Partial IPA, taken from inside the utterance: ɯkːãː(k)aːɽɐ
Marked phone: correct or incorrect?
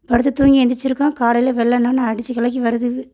correct